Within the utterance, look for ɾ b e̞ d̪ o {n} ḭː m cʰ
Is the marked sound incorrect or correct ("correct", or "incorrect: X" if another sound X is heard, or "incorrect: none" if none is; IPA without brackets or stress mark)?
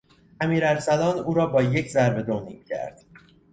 correct